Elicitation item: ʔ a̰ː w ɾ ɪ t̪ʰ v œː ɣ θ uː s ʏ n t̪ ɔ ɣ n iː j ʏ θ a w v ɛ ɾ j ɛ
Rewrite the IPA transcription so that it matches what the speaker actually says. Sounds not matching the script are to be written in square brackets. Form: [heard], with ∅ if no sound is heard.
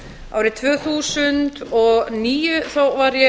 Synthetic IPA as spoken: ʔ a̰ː w ɾ ɪ t̪ʰ v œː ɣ θ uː s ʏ n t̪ ɔ ɣ n iː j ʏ θ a w v [a] ɾ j ɛ